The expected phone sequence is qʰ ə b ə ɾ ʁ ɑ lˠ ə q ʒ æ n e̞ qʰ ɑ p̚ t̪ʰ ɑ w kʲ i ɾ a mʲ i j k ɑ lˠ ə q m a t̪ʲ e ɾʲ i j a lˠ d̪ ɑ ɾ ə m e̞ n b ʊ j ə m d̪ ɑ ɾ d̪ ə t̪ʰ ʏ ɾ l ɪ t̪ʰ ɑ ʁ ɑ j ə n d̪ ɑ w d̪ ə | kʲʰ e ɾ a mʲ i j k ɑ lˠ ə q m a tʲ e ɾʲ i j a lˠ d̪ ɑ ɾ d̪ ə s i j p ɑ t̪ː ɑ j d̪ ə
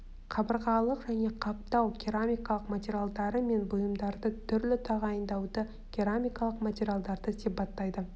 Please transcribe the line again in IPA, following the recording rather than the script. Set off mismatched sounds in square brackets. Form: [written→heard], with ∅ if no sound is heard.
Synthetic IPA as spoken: qʰ [ə→ɑ] b ə ɾ ʁ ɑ lˠ ə q ʒ æ n e̞ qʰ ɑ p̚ [t̪ʰ→t̪] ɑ w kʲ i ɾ a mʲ i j k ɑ lˠ ə q m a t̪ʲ e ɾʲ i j a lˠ d̪ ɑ ɾ ə m e̞ n b ʊ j ə m d̪ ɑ ɾ d̪ ə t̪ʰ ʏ ɾ l ɪ t̪ʰ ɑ ʁ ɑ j ə n d̪ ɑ w d̪ ə | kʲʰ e ɾ a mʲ i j k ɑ lˠ ə q m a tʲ e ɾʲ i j a lˠ d̪ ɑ ɾ d̪ ə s i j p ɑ t̪ː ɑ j d̪ ə